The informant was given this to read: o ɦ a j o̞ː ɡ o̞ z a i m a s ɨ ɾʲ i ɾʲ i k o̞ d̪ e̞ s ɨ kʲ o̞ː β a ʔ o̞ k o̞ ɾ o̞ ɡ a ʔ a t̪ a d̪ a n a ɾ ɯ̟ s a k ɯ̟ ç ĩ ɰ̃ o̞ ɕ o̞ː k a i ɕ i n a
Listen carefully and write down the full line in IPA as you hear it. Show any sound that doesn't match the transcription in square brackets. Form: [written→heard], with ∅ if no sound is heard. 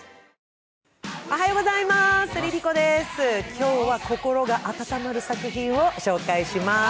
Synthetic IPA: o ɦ a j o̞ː ɡ o̞ z a i m a s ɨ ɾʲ i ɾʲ i k o̞ d̪ e̞ s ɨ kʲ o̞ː β a [ʔ→k] o̞ k o̞ ɾ o̞ ɡ a ʔ a t̪ a [d̪→t̪] a [n→m] a ɾ ɯ̟ s a k ɯ̟ ç ĩ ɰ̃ o̞ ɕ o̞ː k a i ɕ i [n→m] a